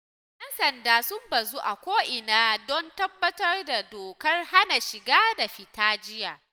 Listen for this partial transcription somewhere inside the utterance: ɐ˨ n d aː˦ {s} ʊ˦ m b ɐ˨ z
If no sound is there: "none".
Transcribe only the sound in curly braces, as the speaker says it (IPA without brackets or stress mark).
s